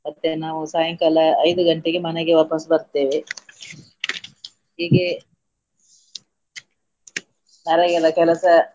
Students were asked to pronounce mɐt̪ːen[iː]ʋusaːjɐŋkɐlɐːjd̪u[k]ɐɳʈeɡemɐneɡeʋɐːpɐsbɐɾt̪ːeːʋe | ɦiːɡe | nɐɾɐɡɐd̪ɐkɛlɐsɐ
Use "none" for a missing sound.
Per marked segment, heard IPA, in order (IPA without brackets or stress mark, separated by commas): aː, ɡ